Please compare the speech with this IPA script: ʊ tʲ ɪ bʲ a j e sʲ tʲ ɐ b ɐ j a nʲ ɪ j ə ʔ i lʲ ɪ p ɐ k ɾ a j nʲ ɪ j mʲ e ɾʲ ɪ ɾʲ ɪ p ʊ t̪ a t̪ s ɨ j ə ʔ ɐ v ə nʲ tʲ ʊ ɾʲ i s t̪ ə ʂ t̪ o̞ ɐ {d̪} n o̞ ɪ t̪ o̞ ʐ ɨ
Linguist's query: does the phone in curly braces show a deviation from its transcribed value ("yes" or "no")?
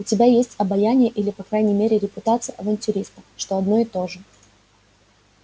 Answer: no